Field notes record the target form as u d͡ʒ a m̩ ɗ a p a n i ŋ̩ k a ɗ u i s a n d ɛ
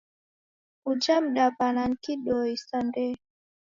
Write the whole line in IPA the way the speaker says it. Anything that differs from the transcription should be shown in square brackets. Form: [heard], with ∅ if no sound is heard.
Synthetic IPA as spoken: u d͡ʒ a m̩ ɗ a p a n [a] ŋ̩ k [i] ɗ [ɔ] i s a n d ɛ

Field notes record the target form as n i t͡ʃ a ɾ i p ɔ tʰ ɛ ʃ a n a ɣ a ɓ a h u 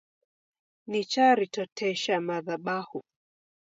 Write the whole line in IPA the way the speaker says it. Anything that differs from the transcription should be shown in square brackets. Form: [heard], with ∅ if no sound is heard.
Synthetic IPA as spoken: n i t͡ʃ a ɾ i [t] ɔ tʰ ɛ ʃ a [m] a [ð] a ɓ a h u

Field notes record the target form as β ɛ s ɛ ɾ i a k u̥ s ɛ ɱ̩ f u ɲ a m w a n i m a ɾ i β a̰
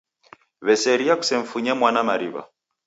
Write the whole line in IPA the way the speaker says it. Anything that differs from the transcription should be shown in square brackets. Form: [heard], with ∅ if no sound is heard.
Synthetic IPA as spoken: β ɛ s ɛ ɾ i a k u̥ s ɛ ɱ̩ f u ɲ a m w a n [a] m a ɾ i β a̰

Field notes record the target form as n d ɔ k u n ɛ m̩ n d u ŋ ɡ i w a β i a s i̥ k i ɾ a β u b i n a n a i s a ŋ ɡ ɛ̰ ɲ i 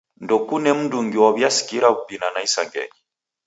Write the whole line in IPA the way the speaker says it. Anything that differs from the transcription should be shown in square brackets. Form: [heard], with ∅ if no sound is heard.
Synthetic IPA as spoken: n d ɔ k u n ɛ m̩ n d u ŋ ɡ i w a β [j] a s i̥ k i ɾ a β u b i n a n a i s a ŋ ɡ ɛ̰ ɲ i

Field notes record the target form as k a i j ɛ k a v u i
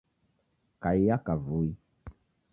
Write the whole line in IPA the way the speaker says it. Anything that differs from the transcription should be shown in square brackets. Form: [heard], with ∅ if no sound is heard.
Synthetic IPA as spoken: k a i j [a] k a v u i

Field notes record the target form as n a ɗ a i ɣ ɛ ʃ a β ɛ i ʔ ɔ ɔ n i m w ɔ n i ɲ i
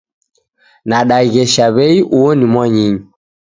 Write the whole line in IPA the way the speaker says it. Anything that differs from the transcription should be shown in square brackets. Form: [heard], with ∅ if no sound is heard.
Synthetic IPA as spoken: n a ɗ a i ɣ ɛ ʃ a β ɛ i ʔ [u] ɔ n i m w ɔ [ɲ] i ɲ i

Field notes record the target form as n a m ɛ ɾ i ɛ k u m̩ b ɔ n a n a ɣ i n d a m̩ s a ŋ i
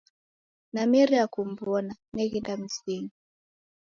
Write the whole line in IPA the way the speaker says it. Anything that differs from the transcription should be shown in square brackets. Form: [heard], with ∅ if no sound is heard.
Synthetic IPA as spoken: n a m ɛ ɾ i [a] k u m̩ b ɔ n a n [ɛ] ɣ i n d a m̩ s [i] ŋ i

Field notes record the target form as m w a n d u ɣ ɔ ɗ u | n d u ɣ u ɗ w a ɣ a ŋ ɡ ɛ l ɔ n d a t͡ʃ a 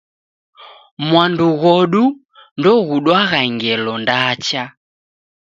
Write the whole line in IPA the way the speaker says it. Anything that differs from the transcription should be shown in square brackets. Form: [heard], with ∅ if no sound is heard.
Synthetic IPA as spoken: m w a n d u ɣ ɔ ɗ u | n d [ɔ] ɣ u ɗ w a ɣ a ŋ ɡ ɛ l ɔ n d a t͡ʃ a

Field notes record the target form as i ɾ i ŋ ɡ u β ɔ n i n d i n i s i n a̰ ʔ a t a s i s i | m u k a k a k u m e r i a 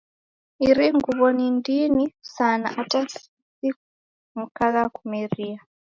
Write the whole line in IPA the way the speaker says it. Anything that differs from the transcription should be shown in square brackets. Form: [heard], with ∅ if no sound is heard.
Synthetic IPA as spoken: i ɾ i ŋ ɡ u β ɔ n i n d i n i s [a] n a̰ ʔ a t a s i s i | m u k a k a k u m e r i a

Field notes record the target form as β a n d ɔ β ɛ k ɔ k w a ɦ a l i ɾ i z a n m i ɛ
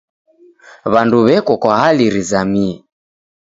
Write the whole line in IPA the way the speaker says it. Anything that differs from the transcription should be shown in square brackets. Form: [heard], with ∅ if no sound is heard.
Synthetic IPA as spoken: β a n d [u] β ɛ k ɔ k w a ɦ a l i ɾ i z a [∅] m i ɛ

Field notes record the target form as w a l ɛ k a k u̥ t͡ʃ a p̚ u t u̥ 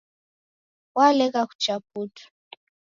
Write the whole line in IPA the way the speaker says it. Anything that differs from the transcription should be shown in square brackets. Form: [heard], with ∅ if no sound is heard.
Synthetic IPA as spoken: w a l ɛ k a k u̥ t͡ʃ a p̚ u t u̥

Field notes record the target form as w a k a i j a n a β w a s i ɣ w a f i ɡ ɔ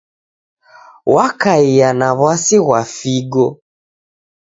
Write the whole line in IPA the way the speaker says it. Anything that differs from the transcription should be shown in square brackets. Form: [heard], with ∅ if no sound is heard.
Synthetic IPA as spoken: w a k a i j a n a β w a s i ɣ w a f i ɡ ɔ

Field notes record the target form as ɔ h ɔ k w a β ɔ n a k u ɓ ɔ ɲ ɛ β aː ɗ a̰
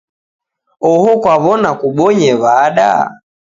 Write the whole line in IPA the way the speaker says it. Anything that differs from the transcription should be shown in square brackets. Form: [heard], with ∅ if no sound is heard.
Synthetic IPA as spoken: ɔ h ɔ k w a β ɔ n a k u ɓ ɔ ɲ ɛ β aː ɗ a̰

